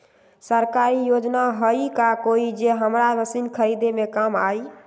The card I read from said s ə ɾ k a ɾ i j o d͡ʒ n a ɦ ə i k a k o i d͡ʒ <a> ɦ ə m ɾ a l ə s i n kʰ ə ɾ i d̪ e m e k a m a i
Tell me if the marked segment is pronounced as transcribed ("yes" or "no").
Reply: no